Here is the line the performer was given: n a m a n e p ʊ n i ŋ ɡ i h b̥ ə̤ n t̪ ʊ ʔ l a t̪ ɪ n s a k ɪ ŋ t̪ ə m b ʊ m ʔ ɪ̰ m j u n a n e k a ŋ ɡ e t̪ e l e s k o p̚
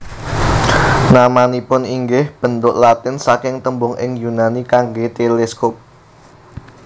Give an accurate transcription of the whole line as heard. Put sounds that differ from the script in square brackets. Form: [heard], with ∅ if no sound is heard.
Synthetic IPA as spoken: n a m a n [i] p ʊ n i ŋ ɡ [ɪ] h b̥ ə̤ n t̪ ʊ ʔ l a t̪ ɪ n s a k ɪ ŋ t̪ ə m b ʊ [ŋ] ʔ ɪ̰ [ŋ] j u n a n [i] k a ŋ ɡ e t̪ e l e s k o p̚